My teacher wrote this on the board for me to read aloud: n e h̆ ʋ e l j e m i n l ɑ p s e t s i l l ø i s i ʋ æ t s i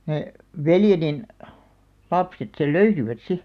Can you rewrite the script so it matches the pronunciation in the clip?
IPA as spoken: n e h̆ ʋ e l j e n i n l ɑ p s e t s e l l ø y s i ʋ æ t s i